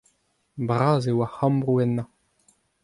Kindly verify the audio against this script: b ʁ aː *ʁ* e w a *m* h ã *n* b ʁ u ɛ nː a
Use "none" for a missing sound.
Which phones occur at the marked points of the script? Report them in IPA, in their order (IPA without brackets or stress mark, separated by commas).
z, none, m